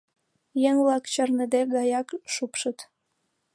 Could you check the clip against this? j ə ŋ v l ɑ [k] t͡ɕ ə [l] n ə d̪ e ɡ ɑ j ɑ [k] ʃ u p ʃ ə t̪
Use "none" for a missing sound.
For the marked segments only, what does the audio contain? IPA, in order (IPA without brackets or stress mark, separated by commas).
k, r, k